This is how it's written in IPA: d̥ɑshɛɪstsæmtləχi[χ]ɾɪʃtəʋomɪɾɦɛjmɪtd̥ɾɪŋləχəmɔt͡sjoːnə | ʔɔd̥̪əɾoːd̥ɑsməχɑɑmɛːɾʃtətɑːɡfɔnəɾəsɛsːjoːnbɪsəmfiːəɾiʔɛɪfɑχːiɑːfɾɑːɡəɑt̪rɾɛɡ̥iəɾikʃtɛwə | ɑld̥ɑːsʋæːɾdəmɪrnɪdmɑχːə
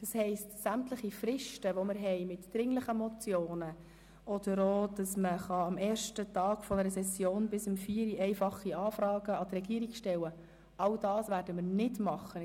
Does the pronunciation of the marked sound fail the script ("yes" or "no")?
yes